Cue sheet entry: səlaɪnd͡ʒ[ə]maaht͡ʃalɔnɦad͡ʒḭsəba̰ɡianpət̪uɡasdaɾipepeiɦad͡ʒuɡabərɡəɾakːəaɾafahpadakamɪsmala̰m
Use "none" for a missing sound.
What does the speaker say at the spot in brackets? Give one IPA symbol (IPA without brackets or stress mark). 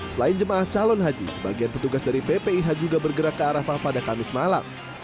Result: ə